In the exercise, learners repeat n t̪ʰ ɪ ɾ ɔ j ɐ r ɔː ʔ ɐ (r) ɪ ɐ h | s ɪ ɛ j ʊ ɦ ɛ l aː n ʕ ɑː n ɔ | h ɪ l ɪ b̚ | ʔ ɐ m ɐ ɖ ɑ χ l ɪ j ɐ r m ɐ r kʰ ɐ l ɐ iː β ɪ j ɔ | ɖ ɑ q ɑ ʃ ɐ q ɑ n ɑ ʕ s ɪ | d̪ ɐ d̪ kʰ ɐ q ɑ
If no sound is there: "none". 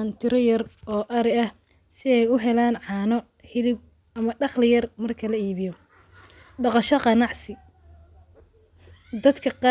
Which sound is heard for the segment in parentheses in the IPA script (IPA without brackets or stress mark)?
ɾ